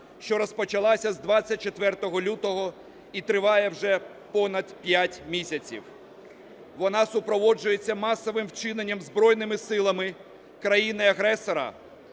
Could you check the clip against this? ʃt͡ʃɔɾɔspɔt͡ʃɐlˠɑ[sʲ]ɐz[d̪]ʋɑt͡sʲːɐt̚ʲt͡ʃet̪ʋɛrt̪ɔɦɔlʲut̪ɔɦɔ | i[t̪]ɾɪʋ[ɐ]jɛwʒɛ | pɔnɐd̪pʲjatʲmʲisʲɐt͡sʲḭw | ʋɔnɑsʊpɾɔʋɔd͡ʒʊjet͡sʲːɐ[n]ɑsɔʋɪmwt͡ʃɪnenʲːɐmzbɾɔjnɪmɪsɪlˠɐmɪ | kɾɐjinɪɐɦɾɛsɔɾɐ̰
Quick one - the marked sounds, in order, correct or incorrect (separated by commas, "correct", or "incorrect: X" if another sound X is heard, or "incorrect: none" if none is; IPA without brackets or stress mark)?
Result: correct, correct, correct, incorrect: ɑ, incorrect: m